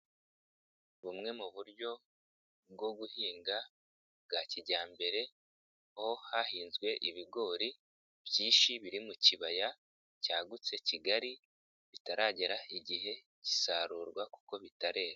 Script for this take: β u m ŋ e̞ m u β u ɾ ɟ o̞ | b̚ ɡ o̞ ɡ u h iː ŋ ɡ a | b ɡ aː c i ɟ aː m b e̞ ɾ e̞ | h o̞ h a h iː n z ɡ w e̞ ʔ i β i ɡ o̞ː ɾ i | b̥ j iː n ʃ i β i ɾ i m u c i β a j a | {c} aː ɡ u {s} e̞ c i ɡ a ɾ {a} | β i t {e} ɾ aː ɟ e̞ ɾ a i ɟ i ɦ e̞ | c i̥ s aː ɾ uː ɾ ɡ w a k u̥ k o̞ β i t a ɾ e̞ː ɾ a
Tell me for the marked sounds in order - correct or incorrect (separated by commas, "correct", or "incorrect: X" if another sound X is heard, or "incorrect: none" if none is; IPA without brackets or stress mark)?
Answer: correct, incorrect: t͡s, incorrect: i, incorrect: a